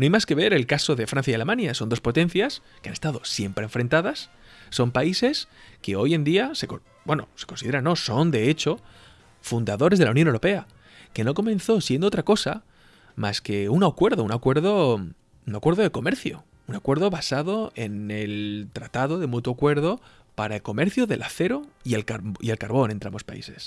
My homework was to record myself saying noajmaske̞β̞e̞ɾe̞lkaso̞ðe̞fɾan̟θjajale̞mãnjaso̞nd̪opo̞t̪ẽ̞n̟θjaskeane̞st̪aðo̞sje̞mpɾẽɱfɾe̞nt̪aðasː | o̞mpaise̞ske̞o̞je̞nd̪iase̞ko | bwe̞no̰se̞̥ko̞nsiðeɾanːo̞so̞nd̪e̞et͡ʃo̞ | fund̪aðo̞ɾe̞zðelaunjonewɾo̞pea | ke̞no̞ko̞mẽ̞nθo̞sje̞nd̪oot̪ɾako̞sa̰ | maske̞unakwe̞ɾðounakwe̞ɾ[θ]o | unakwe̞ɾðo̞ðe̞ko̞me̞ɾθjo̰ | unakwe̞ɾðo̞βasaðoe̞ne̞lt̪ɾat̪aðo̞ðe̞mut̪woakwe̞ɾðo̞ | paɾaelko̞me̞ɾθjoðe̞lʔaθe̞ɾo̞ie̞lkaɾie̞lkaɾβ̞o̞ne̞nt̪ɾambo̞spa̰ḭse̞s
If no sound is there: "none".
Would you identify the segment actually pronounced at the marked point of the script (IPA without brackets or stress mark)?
ð